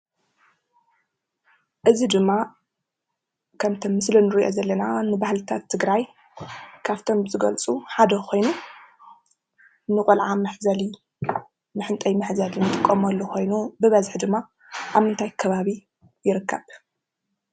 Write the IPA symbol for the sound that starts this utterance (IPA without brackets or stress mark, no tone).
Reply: ʔ